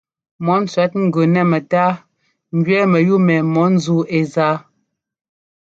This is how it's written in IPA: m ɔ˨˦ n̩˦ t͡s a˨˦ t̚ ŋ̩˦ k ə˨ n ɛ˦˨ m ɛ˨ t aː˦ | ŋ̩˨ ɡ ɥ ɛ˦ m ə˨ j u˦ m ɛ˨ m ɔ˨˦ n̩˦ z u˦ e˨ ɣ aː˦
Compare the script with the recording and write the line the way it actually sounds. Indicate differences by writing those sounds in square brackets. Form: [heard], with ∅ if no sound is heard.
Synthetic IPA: m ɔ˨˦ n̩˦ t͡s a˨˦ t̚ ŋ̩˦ [ɡ] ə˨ n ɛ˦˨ m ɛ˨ t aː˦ | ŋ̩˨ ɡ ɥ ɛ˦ m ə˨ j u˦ m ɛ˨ m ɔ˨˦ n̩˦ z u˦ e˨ [z] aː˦

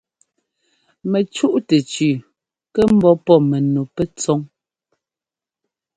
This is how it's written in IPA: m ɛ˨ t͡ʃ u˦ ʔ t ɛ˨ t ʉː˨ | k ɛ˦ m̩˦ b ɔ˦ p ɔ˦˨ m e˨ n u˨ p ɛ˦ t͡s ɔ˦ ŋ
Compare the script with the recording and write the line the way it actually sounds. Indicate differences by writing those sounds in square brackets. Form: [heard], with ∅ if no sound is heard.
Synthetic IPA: m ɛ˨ t͡ʃ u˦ ʔ t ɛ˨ [t͡ʃ] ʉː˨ | k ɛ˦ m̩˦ b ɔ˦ p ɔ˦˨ m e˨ n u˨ p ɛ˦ t͡s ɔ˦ ŋ

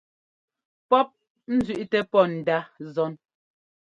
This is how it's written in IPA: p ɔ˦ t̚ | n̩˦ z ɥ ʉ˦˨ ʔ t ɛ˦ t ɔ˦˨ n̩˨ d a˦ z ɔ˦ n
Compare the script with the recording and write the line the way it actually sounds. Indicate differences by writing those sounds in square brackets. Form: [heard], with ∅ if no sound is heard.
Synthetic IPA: p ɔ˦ [p̚] | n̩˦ z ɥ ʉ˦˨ ʔ t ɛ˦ [p] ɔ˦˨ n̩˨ d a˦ z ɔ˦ n

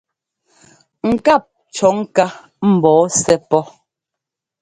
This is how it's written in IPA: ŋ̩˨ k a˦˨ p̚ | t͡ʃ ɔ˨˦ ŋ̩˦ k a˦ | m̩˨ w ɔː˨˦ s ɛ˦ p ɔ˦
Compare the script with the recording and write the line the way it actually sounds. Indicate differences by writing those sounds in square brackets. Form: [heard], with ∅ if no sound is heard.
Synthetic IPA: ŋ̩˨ k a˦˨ p̚ | t͡ʃ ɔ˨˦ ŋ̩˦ k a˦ | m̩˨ [b] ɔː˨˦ s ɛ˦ p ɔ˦

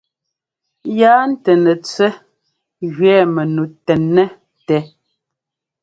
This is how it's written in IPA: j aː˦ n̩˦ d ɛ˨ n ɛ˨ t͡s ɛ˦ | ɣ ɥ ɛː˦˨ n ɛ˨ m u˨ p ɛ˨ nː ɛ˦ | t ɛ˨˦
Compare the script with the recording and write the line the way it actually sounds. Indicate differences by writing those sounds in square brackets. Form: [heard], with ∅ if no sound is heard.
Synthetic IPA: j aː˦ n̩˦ [t] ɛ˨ n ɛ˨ t͡s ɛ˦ | ɣ ɥ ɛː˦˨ [m] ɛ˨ [n] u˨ [t] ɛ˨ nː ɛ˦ | t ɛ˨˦

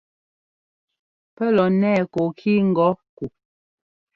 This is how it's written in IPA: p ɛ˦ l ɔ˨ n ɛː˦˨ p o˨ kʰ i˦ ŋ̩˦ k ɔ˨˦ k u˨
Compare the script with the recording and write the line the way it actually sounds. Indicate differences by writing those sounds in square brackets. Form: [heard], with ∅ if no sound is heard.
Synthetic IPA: p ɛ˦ l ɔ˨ n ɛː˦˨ [k] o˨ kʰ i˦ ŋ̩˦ [ɡ] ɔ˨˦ k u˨

